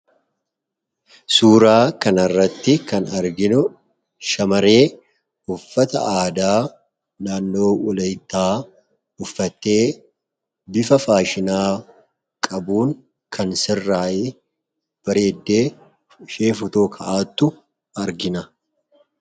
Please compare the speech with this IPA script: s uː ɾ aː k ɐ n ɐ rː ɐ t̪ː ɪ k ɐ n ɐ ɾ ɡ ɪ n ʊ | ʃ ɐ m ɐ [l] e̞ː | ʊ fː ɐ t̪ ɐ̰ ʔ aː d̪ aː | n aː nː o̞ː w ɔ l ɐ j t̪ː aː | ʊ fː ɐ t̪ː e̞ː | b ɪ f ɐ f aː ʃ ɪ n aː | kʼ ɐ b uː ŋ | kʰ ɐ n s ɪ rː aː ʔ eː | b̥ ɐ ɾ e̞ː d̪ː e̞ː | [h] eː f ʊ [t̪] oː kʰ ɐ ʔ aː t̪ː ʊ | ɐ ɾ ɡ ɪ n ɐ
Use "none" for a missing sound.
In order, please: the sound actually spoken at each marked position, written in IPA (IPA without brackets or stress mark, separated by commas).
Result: ɾ, ʃ, t̪